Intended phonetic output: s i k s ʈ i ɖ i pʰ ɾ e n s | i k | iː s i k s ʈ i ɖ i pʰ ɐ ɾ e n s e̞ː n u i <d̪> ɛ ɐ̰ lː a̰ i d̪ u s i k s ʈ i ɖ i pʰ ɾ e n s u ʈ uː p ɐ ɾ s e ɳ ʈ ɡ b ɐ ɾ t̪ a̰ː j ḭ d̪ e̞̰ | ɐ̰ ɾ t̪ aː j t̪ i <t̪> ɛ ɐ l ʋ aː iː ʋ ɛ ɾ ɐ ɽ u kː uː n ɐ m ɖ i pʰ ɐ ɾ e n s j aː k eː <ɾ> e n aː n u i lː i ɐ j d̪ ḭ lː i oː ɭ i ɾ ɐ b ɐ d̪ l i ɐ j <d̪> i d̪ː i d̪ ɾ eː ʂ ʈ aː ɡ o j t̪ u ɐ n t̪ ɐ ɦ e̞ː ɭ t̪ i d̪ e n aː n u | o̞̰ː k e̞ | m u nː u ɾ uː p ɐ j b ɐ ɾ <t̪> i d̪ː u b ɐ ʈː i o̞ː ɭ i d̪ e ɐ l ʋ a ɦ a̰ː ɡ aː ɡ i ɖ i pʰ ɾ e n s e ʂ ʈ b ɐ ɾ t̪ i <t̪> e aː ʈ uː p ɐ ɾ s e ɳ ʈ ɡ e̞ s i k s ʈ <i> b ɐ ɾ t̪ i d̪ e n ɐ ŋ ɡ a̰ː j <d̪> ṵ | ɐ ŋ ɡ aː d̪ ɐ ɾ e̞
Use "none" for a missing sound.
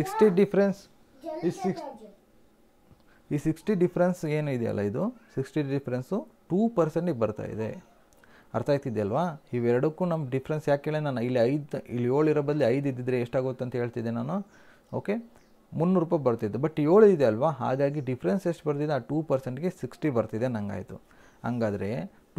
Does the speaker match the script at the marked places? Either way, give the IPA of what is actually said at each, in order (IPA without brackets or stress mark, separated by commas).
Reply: d̪, d̪, ɭ, d̪, t̪, d̪, i, t̪